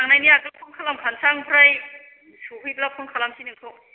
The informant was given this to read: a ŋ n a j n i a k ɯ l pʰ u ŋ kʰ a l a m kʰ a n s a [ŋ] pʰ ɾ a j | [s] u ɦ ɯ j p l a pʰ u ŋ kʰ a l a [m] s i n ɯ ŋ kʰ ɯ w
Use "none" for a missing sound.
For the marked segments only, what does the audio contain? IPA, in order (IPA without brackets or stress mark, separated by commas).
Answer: ŋ, s, m